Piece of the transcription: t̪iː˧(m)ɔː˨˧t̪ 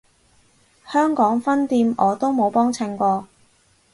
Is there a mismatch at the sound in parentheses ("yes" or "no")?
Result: no